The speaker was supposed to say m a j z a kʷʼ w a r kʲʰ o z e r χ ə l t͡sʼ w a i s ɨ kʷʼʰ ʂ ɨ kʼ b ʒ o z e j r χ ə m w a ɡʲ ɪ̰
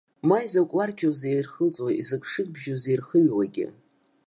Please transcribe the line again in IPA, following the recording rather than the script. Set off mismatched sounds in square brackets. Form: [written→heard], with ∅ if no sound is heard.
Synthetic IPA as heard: m a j z a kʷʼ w a r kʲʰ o z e r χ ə l t͡sʼ w a i [s→z] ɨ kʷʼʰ ʂ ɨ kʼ b ʒ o z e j r χ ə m w a ɡʲ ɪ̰

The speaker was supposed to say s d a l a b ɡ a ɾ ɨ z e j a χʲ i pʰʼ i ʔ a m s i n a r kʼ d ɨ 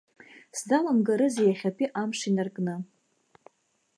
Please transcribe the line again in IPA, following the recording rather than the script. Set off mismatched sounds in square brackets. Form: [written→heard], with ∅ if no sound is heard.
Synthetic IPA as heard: s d a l a [b→m] ɡ a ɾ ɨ z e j a χʲ [i→a] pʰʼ i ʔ a m [s→ʂ] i n a r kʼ [d→n] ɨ

